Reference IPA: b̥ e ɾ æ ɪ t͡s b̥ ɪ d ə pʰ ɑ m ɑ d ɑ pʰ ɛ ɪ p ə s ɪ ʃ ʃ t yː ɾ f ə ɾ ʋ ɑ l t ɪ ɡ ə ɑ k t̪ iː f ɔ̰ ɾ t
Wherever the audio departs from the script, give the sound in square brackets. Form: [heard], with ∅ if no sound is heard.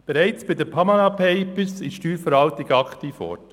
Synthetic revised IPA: b̥ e ɾ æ ɪ t͡s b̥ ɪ d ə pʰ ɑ m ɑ [n] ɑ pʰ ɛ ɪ p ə s ɪ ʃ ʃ t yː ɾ f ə ɾ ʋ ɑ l t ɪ ɡ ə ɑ k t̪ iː f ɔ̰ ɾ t